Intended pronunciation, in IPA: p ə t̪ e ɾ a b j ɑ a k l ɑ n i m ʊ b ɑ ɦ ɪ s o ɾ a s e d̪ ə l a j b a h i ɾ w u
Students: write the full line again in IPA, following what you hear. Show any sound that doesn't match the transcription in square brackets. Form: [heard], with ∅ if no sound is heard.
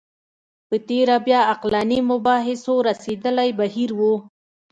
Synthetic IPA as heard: p ə t̪ e ɾ a b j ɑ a [q] l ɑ n i m ʊ b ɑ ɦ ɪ s o ɾ a s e d̪ ə l a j b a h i ɾ w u